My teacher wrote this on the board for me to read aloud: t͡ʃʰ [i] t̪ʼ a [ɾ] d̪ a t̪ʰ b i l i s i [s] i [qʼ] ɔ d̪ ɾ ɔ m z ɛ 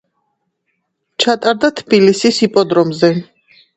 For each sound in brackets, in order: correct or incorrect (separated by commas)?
incorrect, correct, correct, incorrect